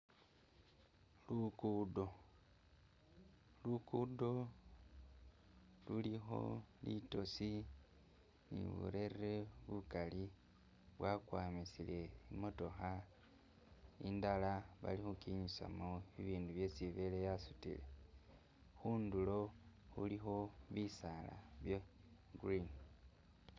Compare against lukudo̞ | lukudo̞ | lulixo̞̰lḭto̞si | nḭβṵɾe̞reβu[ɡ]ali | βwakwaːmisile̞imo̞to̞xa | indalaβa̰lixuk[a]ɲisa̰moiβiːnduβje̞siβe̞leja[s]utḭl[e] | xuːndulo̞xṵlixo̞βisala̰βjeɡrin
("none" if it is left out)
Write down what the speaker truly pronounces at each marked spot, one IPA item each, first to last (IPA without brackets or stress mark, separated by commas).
k, i, s, e